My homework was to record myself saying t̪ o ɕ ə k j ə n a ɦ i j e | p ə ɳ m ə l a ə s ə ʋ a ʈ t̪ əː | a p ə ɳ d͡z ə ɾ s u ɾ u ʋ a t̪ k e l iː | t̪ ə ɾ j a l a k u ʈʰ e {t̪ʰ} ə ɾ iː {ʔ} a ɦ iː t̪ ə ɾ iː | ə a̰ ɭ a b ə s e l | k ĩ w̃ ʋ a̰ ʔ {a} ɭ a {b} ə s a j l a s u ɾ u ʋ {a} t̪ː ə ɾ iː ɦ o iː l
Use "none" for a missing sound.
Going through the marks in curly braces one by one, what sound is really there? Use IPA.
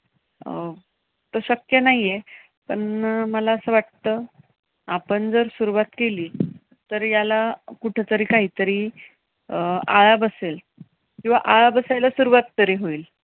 t̪, k, a, b, a

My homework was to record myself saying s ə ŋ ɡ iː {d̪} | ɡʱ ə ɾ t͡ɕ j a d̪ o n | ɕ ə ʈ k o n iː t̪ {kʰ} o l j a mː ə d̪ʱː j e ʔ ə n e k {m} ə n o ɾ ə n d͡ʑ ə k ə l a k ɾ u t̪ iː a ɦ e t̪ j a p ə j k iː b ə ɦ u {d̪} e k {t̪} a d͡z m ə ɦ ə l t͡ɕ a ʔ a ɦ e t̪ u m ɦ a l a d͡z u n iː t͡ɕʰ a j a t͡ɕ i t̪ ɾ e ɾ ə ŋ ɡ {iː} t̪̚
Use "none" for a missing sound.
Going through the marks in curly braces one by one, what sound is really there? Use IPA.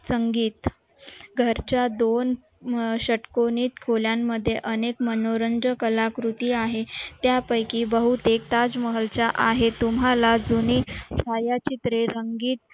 t̪, kʰ, m, t̪, t̪, iː

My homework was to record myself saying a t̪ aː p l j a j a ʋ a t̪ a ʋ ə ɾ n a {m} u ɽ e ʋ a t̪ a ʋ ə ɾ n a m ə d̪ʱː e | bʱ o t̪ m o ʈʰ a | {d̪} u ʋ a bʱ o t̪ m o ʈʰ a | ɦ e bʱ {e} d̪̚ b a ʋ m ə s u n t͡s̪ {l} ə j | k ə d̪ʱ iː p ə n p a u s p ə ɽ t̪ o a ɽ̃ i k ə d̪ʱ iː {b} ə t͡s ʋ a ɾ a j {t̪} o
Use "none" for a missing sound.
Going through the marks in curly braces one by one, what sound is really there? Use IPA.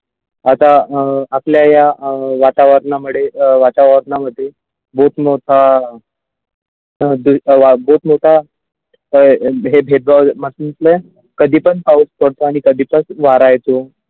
m, d̪, e, l, p, t̪

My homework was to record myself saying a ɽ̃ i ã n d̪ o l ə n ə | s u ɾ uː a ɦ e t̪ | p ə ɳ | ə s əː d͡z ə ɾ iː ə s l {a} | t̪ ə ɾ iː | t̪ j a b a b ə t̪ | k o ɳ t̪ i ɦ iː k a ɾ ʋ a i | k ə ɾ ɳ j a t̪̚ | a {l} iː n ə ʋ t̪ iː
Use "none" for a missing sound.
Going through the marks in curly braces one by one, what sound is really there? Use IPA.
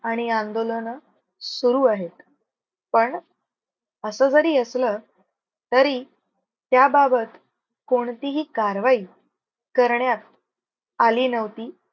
ə, l

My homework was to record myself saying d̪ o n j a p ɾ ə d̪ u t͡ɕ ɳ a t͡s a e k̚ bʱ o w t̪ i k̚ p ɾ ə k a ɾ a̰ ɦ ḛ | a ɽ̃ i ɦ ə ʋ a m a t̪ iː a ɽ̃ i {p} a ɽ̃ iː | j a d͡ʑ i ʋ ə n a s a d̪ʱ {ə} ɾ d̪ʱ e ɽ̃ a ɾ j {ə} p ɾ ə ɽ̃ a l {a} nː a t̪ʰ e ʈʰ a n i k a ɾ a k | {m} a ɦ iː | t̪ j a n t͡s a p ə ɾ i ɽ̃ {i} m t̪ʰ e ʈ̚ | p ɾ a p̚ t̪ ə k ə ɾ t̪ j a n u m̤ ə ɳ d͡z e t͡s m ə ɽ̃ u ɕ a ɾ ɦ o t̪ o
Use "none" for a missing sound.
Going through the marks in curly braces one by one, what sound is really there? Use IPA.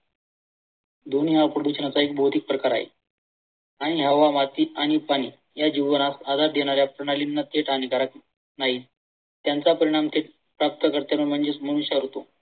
p, a, a, i, n, a

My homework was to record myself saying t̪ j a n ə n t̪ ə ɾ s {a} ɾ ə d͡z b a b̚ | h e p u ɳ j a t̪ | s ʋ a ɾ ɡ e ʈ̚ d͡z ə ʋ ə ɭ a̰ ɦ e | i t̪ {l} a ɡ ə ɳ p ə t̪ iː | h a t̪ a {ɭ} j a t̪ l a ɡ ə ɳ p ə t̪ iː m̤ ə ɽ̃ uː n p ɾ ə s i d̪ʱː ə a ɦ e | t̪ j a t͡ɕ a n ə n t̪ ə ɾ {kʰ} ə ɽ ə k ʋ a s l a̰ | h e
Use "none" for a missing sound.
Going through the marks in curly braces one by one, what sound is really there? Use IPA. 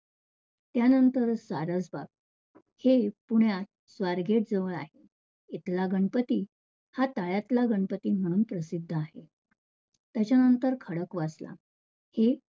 a, l, ɭ, kʰ

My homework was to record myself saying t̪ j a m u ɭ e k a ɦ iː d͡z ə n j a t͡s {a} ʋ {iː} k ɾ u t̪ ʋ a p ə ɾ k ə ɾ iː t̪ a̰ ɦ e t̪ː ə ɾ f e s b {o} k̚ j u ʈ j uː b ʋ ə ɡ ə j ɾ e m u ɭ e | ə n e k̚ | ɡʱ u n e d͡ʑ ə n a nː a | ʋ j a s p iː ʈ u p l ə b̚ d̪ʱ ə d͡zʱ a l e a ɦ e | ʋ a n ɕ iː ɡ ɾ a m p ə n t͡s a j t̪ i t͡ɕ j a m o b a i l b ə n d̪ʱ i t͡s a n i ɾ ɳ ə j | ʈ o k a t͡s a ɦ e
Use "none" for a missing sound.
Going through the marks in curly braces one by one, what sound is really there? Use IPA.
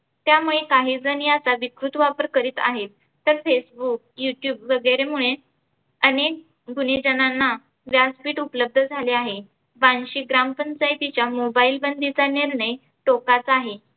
a, i, u

